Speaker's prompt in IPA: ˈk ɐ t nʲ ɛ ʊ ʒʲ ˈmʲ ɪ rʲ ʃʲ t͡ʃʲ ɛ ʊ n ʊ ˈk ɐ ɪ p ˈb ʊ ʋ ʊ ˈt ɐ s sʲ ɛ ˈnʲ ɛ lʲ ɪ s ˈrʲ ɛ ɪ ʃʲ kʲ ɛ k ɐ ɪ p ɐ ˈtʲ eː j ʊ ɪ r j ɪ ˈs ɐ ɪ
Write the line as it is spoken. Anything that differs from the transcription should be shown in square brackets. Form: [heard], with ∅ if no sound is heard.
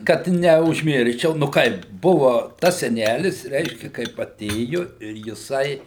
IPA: ˈk ɐ t nʲ ɛ ʊ ʒʲ ˈmʲ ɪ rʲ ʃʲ t͡ʃʲ ɛ ʊ n ʊ ˈk ɐ ɪ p ˈb ʊ ʋ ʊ ˈt ɐ s sʲ ɛ ˈnʲ [æ] lʲ ɪ s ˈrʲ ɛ ɪ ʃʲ kʲ ɛ k ɐ ɪ p ɐ ˈtʲ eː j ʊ ɪ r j ɪ ˈs ɐ ɪ

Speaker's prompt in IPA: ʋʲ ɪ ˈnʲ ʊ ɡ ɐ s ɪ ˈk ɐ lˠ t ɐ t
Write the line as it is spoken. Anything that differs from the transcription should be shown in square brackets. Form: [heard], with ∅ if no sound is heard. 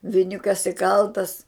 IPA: ʋʲ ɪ ˈnʲ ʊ [k] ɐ s ɪ ˈk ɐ lˠ t ɐ [s]

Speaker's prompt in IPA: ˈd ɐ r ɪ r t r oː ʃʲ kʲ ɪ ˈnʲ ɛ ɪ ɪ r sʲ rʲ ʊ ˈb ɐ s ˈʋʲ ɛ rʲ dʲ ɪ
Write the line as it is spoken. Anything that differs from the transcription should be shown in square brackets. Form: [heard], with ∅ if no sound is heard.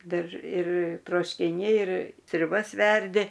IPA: ˈd ɐ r ɪ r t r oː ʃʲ kʲ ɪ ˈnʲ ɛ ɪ ɪ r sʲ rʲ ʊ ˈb ɐ s ˈʋʲ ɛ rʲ dʲ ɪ

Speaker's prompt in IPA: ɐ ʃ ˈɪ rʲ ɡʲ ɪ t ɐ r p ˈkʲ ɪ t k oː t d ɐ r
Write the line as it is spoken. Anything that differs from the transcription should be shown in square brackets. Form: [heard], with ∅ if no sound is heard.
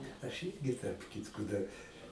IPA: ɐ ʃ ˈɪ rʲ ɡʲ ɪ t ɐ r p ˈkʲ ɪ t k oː [∅] d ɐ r

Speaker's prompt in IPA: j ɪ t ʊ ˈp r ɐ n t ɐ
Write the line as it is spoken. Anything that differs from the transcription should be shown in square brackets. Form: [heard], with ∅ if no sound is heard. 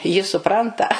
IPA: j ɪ [s] ʊ ˈp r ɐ n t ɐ

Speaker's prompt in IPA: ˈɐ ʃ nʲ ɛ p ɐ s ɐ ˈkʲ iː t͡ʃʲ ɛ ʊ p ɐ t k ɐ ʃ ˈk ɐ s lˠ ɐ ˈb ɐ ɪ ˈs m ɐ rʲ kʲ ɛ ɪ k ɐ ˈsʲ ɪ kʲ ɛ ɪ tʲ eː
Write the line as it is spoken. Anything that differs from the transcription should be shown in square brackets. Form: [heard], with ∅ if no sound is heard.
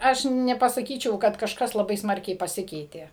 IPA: ˈɐ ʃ nʲ ɛ p ɐ s ɐ ˈkʲ iː t͡ʃʲ ɛ ʊ [k] ɐ t k ɐ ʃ ˈk ɐ s lˠ ɐ ˈb ɐ ɪ ˈs m ɐ rʲ kʲ ɛ ɪ [p] ɐ ˈsʲ ɪ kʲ ɛ ɪ tʲ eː

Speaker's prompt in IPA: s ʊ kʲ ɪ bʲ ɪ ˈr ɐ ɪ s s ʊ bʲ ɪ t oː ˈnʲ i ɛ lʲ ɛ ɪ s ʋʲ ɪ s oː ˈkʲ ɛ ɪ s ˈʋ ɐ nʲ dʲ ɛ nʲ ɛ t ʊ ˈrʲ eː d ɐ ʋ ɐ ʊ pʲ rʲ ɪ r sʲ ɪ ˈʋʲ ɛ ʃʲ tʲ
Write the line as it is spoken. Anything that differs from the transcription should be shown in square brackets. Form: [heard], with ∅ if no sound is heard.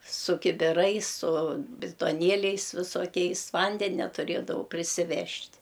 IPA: s ʊ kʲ ɪ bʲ ɪ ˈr ɐ ɪ s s ʊ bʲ ɪ t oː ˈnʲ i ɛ lʲ ɛ ɪ s ʋʲ ɪ s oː ˈkʲ ɛ ɪ s ˈʋ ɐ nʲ dʲ ɛ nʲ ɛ t ʊ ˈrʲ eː d ɐ ʋ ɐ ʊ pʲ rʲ ɪ [∅] sʲ ɪ ˈʋʲ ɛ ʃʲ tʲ

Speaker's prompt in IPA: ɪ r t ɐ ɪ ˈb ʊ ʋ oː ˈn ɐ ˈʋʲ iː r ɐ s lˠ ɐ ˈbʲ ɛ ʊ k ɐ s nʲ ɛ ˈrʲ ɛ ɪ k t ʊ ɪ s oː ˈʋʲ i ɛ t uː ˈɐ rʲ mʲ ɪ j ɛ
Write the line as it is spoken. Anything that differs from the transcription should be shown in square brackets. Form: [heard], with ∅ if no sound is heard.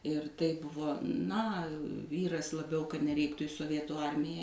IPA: ɪ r t ɐ ɪ ˈb ʊ ʋ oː ˈn ɐ ˈʋʲ iː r ɐ s lˠ ɐ ˈbʲ ɛ ʊ k ɐ [t] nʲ ɛ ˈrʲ ɛ ɪ k t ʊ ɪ s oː ˈʋʲ i ɛ t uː ˈɐ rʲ mʲ ɪ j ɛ

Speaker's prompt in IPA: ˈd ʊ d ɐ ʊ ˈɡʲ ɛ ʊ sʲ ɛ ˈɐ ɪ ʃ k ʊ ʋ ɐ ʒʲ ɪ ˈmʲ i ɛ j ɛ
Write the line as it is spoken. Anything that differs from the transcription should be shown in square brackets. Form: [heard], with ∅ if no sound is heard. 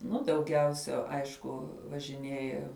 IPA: [ˈn] ʊ d ɐ ʊ ˈɡʲ ɛ ʊ sʲ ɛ ˈɐ ɪ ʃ k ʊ ʋ ɐ ʒʲ ɪ [ˈnʲ] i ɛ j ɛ

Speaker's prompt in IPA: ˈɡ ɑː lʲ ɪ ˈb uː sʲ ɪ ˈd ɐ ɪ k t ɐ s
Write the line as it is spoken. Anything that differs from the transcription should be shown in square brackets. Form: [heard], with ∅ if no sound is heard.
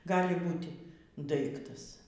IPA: ˈɡ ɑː lʲ ɪ ˈb uː [tʲ] ɪ ˈd ɐ ɪ k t ɐ s

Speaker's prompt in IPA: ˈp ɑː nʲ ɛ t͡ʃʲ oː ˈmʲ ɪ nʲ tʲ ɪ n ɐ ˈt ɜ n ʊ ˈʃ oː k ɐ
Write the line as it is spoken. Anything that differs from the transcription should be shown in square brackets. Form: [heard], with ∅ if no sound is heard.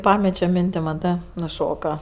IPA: ˈp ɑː [mʲ] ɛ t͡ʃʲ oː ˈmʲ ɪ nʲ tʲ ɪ [m] ɐ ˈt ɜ n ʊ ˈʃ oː k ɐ

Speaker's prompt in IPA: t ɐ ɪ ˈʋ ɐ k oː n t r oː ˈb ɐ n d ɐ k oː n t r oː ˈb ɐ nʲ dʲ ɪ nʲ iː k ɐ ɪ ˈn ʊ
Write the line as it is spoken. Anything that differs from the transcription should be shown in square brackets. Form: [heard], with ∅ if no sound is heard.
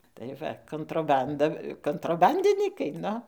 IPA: t ɐ ɪ ˈʋ ɐ k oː n t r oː ˈb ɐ n d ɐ k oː n t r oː ˈb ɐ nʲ dʲ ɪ nʲ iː k ɐ ɪ ˈn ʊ

